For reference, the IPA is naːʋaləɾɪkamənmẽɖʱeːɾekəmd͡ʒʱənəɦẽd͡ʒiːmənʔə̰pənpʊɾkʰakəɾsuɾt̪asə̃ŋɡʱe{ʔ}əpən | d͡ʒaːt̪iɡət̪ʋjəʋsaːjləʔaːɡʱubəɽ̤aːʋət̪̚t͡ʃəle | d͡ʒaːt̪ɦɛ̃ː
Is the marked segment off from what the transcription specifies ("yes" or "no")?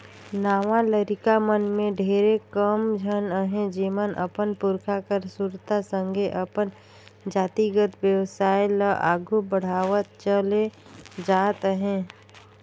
no